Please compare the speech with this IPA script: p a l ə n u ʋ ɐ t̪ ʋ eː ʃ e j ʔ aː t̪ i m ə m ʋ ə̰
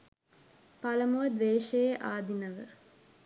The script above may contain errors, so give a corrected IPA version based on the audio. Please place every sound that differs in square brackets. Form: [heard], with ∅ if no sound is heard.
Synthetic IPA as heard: p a l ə [m] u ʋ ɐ [d̪] ʋ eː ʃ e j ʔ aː [d̪] i [n] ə [∅] ʋ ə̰

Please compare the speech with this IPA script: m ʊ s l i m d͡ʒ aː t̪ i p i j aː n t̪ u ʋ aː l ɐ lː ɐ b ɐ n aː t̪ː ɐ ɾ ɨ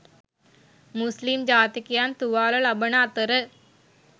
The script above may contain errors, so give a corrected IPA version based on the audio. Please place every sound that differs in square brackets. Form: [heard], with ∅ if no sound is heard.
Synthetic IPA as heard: m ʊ s l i m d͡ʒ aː t̪ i [k] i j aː n t̪ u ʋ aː l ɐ [l] ɐ b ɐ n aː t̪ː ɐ ɾ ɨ

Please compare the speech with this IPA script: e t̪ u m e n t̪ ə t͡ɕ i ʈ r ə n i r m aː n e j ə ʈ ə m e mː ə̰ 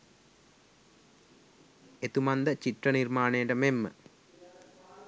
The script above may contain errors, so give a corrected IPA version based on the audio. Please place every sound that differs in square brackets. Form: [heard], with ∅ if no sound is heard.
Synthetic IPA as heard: e t̪ u m [a] n [d̪] ə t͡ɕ i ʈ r ə n i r m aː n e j ə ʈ ə m e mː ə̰

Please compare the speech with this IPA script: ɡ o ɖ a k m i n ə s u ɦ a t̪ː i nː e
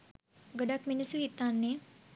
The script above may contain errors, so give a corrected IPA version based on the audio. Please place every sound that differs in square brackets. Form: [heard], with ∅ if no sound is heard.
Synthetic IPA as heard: ɡ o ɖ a k m i n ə s u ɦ [i] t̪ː [a] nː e

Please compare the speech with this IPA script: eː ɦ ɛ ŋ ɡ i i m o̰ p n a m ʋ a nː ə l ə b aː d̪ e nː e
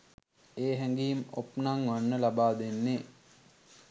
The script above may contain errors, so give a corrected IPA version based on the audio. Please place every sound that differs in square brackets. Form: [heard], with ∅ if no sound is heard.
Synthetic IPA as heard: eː ɦ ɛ ŋ ɡ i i m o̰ p n a [ŋ] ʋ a nː ə l [a] b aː d̪ e nː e

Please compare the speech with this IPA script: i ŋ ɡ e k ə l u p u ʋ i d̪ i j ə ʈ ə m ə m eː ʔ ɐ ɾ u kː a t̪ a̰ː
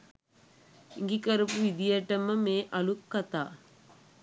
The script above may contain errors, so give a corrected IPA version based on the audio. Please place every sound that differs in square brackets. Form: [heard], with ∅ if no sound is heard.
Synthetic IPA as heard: i ŋ ɡ [i] k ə [ɾ] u p u ʋ i d̪ i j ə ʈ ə m ə m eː ʔ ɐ [l] u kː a t̪ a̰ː

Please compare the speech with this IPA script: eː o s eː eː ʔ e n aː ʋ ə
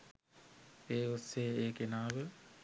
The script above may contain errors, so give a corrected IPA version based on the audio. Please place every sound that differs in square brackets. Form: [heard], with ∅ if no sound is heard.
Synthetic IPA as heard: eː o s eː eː [k] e n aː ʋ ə

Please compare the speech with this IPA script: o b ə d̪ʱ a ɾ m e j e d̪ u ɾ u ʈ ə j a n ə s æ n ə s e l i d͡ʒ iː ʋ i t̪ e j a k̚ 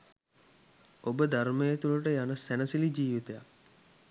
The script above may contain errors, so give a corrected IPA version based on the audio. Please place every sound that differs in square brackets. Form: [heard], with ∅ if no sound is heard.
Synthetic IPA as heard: o b ə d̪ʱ a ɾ m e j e [t̪] u [l] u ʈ ə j a n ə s æ n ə s [i] l i d͡ʒ iː ʋ i t̪ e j a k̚

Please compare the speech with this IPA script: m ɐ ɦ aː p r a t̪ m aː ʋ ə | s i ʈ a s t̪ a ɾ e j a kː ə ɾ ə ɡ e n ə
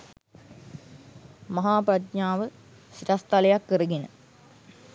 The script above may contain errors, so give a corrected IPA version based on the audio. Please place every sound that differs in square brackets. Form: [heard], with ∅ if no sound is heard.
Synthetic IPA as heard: m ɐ ɦ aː p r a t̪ [ɲ] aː ʋ ə | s i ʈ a s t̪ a [l] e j a kː ə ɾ ə ɡ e n ə

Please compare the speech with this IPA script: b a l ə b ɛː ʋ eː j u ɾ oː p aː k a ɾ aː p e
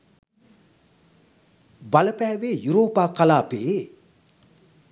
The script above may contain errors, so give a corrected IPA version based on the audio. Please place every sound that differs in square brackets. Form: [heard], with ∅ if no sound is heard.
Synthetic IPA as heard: b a l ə [p] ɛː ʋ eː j u ɾ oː p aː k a [l] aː p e

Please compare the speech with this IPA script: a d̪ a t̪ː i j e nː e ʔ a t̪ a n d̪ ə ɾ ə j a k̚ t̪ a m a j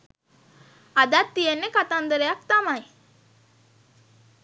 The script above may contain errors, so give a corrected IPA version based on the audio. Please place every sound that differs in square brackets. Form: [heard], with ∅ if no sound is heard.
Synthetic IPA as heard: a d̪ a t̪ː i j e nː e [k] a t̪ a n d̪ ə ɾ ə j a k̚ t̪ a m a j

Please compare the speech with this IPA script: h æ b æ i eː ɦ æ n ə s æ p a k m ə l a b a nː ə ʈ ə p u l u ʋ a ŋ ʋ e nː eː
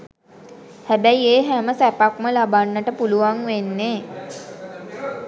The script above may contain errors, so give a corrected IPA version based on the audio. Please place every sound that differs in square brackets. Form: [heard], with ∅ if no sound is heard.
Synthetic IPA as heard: h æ b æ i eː ɦ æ [m] ə s æ p a k m ə l a b a nː ə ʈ ə p u l u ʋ a ŋ ʋ e nː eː

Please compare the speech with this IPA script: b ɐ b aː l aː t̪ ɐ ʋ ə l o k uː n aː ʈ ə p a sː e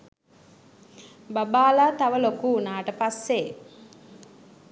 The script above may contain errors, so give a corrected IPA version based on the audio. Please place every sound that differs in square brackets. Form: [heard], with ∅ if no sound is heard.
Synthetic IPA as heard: b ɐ b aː l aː t̪ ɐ ʋ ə l o k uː n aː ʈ ə p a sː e

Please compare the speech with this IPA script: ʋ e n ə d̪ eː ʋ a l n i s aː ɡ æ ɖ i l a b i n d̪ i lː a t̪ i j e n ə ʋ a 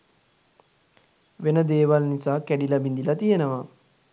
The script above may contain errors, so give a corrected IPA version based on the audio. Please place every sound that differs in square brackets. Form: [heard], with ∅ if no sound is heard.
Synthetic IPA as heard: ʋ e n ə d̪ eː ʋ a l n i s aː [k] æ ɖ i l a b i n d̪ i [l] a t̪ i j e n ə ʋ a

